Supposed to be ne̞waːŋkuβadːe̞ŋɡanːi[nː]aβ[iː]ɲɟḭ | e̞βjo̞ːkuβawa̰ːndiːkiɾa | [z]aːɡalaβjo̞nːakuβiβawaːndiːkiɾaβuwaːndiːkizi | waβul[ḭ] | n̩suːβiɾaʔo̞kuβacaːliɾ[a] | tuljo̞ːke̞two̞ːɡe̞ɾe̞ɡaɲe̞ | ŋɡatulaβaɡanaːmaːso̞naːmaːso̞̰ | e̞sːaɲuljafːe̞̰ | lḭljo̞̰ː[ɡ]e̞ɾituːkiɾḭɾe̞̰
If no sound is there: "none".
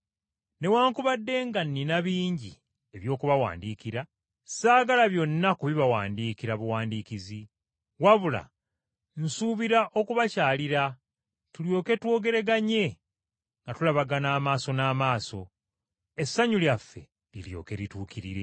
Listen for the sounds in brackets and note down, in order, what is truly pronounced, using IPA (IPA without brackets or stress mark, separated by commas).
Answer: n, iː, s, a̰, a, k